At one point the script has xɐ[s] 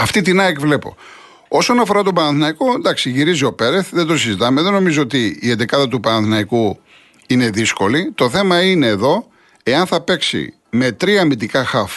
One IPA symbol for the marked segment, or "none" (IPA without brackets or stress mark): f